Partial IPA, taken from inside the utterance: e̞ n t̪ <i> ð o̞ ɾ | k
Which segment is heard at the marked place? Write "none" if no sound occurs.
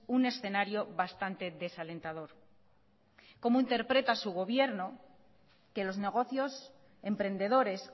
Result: a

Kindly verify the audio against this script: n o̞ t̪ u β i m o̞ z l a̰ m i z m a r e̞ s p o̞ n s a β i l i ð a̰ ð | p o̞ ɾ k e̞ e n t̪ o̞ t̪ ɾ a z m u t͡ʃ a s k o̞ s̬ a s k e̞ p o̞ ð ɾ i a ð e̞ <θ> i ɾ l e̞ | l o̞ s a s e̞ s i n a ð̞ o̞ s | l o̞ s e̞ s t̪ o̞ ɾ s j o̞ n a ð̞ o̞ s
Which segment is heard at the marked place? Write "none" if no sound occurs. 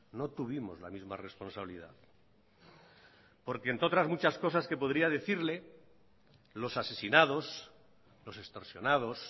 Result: θ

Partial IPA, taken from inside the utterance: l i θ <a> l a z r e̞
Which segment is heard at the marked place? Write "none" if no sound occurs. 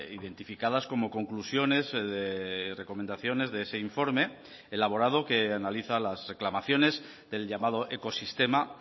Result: a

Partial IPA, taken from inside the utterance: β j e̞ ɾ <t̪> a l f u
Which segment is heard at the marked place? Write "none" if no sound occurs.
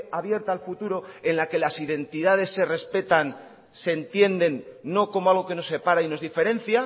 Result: t̪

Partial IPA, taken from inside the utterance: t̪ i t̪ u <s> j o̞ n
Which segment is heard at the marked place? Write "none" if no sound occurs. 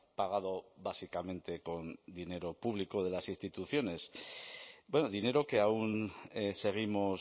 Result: θ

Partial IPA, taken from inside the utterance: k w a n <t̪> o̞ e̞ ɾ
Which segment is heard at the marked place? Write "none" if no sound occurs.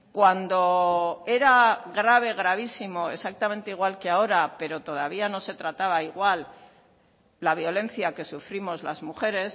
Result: d̪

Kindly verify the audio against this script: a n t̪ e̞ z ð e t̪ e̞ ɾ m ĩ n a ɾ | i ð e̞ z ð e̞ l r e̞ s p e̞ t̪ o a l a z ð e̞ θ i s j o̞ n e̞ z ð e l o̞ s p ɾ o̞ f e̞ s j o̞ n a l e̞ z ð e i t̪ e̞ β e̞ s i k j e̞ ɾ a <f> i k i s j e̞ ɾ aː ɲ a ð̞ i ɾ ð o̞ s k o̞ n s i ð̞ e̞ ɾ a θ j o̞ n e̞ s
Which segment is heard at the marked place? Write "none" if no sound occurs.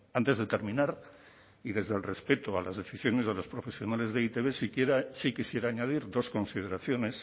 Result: s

